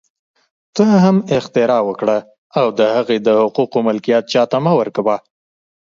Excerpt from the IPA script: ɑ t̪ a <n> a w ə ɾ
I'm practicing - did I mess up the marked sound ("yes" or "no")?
yes